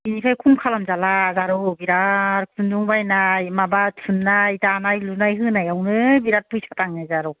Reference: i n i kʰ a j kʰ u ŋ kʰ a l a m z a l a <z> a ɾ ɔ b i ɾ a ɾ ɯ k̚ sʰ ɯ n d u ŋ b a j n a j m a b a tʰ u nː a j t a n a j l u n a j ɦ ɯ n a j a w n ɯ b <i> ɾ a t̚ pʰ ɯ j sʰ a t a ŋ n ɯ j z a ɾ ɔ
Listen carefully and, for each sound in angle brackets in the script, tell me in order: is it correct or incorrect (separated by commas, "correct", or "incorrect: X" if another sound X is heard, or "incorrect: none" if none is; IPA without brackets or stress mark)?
correct, correct